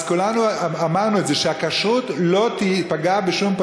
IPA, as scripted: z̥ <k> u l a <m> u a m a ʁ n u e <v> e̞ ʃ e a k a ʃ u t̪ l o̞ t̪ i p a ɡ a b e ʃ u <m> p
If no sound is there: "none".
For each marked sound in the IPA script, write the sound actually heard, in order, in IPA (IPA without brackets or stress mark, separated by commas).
k, n, z, m